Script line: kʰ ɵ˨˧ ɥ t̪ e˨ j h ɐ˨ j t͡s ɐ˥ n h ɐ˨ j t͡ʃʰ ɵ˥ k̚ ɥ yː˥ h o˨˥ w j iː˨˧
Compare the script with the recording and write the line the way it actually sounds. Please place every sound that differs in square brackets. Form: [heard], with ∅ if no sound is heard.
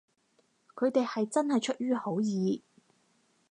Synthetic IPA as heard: kʰ ɵ˨˧ ɥ t̪ e˨ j h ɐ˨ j t͡s ɐ˥ n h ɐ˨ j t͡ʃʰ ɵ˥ [t̚] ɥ yː˥ h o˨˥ w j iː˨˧